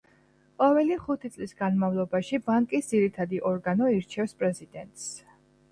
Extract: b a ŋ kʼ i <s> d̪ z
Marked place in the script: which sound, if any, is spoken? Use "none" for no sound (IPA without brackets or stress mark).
s